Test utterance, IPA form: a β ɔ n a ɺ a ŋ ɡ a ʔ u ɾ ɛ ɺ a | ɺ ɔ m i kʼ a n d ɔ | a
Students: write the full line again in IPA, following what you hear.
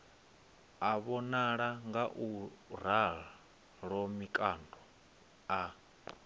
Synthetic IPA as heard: a β ɔ n a ɺ a ŋ ɡ a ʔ u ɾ a ɺ a | ɺ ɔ m i kʼ a n d ɔ | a